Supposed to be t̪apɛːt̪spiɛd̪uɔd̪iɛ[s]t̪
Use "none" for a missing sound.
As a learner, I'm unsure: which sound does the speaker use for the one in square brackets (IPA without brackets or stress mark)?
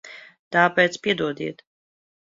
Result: none